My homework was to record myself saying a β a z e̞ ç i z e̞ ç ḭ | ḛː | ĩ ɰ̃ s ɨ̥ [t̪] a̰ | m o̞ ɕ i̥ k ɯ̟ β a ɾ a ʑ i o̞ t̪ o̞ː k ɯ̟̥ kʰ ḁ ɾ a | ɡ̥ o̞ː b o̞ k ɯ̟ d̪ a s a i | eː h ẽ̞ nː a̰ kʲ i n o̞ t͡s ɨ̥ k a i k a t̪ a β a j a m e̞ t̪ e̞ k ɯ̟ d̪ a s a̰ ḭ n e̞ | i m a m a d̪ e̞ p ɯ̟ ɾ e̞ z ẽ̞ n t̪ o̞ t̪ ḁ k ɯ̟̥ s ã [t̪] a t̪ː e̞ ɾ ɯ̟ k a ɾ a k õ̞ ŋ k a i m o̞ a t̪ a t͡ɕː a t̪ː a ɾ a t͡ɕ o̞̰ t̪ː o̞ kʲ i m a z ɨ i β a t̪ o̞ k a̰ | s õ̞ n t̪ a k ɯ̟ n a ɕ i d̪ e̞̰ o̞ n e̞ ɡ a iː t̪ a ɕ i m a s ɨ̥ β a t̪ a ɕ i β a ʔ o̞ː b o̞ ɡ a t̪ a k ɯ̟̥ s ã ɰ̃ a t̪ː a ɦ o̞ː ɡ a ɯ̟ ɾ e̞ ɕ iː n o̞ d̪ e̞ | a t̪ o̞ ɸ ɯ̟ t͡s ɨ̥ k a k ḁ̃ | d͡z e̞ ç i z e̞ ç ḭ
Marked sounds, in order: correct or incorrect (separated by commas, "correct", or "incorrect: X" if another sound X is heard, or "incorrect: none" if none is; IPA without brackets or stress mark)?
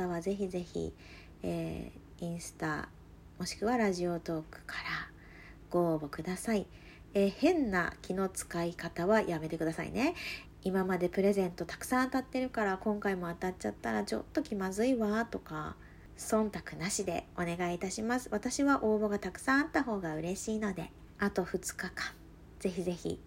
correct, correct